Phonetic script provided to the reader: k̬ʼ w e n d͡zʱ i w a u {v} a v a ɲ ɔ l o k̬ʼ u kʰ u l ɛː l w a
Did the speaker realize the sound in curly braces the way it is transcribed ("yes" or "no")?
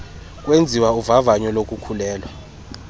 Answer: yes